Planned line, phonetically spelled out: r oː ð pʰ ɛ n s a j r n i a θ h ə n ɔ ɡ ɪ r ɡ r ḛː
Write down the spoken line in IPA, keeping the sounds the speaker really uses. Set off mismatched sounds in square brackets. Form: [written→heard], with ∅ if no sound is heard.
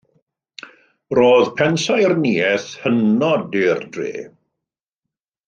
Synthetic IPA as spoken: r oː ð pʰ ɛ n s a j r n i [a→ɛ] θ h ə n ɔ [ɡ→d] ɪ r [ɡ→d] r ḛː